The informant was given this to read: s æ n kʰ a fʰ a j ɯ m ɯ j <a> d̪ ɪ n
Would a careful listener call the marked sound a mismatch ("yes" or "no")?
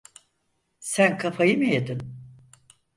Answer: yes